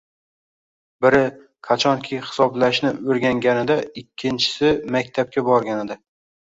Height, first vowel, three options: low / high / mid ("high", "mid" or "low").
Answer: high